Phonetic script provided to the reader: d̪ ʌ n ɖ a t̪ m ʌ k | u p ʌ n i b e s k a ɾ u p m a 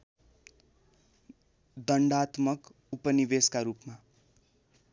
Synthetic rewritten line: d̪ ʌ ɳ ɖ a t̪ m ʌ k | u p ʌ n i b e s k a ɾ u p m a